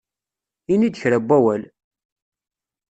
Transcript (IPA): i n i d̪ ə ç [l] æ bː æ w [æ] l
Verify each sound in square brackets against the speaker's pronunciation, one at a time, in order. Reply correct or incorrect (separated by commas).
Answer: incorrect, correct